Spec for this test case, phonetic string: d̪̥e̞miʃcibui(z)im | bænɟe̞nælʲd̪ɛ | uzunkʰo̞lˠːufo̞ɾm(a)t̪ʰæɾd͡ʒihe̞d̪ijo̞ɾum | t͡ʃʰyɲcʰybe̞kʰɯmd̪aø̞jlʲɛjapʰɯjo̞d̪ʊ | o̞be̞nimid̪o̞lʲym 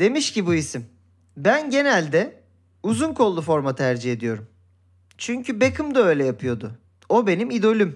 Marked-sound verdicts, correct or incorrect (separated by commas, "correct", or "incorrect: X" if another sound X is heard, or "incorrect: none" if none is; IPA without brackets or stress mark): incorrect: s, correct